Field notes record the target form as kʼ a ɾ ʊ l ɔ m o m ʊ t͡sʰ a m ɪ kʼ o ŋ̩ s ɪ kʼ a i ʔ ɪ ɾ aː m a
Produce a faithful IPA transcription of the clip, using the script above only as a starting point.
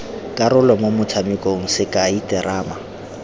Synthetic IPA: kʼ a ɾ ʊ l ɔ m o m ʊ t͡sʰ a m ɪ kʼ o ŋ̩ s ɪ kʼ a i t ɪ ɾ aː m a